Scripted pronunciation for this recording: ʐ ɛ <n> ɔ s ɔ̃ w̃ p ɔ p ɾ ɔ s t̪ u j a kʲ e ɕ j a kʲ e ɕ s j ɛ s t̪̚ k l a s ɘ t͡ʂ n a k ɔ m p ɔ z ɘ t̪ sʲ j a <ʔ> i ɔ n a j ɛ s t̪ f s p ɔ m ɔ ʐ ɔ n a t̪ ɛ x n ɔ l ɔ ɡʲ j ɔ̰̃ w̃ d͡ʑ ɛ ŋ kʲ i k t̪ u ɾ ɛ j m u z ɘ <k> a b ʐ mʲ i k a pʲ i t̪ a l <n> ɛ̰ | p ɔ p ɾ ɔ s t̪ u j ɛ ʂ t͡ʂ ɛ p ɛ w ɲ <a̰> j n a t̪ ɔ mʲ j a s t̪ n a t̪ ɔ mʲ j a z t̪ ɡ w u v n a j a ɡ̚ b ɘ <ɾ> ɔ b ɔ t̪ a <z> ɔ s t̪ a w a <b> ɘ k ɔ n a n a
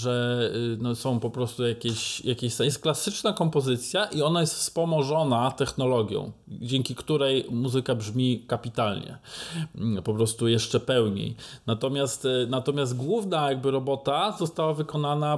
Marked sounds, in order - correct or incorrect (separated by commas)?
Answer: correct, correct, correct, incorrect, incorrect, correct, correct, incorrect